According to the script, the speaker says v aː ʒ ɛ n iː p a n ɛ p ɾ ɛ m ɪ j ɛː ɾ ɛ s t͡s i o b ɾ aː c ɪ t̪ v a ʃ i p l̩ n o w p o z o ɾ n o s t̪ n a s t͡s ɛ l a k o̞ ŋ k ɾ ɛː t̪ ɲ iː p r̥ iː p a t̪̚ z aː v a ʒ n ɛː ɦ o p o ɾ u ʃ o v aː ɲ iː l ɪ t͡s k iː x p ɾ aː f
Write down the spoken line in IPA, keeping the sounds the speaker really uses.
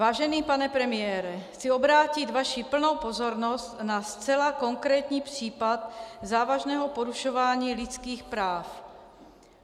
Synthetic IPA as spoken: v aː ʒ ɛ n iː p a n ɛ p ɾ ɛ m ɪ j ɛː ɾ ɛ x t͡s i o b ɾ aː c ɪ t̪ v a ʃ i p l̩ n o w p o z o ɾ n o s t̪ n a s t͡s ɛ l a k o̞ ŋ k ɾ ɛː t̪ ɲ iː p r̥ iː p a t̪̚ z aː v a ʒ n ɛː ɦ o p o ɾ u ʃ o v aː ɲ iː l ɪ t͡s k iː x p ɾ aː f